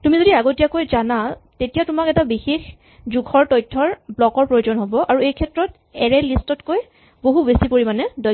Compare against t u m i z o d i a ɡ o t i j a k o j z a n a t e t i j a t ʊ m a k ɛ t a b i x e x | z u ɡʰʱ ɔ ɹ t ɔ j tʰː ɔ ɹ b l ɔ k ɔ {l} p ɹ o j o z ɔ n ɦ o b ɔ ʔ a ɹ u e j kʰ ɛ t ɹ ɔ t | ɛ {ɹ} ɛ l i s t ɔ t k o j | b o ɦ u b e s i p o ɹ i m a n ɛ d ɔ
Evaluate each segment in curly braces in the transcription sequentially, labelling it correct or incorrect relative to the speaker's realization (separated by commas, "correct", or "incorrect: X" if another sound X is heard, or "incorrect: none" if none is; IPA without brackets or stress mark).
incorrect: ɹ, correct